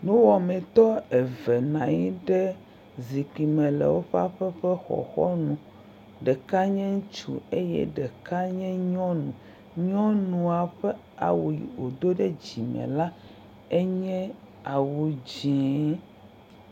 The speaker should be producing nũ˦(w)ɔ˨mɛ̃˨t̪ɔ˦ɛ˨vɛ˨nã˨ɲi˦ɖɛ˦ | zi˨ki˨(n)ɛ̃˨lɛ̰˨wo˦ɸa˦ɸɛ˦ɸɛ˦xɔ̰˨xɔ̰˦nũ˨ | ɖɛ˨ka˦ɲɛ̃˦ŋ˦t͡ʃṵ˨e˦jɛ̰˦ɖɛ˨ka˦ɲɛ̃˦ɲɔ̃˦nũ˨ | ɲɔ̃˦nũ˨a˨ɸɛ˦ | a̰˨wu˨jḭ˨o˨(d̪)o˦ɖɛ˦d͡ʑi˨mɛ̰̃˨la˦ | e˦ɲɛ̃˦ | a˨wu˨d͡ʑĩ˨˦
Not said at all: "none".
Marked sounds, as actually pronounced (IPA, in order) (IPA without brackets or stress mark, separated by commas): w, m, d̪